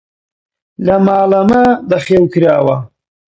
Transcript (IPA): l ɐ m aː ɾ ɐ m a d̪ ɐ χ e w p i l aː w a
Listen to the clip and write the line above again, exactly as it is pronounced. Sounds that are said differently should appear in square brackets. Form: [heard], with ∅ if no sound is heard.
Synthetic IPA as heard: l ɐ m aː [l] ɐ m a d̪ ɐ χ e w [k] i [ɾ] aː w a